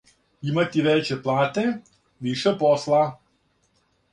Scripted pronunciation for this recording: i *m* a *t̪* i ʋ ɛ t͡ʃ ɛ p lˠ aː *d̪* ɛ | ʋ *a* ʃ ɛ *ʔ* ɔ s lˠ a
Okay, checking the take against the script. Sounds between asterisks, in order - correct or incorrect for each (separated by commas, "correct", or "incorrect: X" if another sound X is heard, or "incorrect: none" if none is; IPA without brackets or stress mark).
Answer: correct, correct, incorrect: t̪, incorrect: i, incorrect: p